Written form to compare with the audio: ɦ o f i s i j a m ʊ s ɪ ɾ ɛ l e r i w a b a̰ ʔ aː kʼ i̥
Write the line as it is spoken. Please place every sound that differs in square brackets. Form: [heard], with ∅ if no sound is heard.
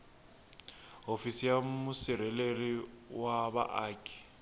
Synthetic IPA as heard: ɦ o f i s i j a m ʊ s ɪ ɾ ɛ l e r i w a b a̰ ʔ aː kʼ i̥